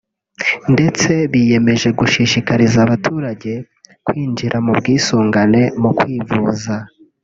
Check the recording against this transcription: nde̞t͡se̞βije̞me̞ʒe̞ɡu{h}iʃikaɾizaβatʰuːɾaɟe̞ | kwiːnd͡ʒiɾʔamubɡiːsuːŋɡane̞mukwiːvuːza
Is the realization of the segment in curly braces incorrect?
yes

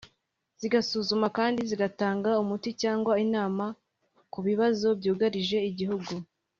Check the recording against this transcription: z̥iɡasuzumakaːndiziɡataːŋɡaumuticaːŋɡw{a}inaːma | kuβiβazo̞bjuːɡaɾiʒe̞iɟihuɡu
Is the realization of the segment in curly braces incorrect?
no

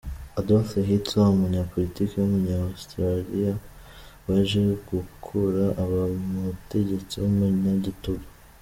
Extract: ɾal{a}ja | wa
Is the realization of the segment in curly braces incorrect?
yes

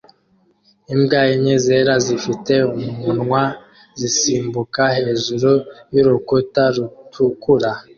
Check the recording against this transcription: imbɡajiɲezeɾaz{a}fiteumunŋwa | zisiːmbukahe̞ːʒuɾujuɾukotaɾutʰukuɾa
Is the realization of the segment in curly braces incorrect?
yes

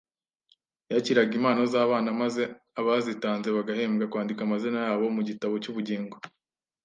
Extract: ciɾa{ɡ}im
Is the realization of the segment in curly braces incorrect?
no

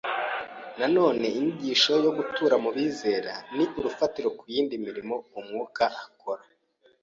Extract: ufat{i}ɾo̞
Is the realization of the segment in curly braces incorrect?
no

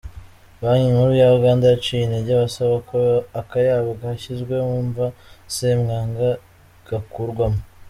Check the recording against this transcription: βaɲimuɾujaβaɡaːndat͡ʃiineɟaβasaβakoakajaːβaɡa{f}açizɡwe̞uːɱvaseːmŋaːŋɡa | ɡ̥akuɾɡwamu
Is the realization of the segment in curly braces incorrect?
yes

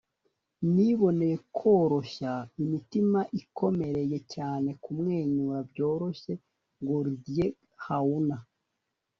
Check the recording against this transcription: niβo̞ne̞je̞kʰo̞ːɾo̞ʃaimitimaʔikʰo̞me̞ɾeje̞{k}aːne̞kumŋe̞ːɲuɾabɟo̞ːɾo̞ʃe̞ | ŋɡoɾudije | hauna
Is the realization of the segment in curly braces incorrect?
yes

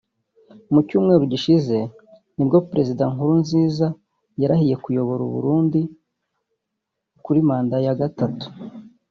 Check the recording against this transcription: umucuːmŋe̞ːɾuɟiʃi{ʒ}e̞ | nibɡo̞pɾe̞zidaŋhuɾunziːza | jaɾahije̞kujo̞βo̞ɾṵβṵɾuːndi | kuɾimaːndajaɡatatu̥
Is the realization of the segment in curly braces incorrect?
yes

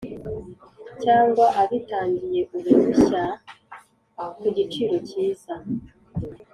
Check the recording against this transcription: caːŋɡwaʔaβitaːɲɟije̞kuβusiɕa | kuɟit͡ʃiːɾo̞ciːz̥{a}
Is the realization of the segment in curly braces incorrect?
no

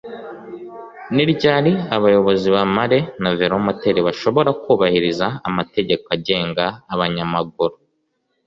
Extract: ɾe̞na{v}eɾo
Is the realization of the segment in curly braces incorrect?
no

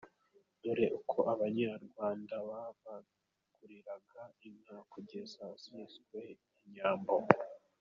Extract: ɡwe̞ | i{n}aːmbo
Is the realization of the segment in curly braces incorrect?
yes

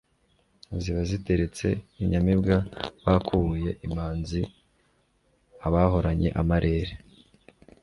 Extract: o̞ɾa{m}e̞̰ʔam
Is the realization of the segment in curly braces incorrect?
yes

